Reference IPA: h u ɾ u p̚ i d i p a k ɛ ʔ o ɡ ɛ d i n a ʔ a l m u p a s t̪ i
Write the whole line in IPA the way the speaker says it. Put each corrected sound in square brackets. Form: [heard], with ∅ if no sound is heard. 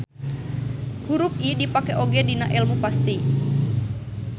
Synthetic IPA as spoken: h u ɾ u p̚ i d i p a k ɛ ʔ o ɡ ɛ d i n a ʔ [ɛ] l m u p a s t̪ i

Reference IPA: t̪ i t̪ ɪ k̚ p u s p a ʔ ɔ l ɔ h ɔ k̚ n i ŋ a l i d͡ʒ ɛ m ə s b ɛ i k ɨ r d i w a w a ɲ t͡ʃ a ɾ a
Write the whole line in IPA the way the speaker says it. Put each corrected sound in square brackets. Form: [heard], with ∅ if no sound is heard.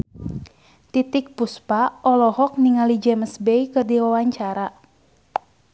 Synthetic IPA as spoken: t̪ i t̪ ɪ k̚ p u s p a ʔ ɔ l ɔ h ɔ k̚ n i ŋ a l i d͡ʒ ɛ m ə s b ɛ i k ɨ r d i w a w a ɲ t͡ʃ a ɾ a

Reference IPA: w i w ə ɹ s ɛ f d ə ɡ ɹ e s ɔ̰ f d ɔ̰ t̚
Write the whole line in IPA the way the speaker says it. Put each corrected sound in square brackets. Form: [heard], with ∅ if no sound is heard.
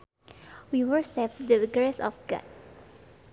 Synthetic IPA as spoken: w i w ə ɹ s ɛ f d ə ɡ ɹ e s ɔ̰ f [ɡ] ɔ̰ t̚

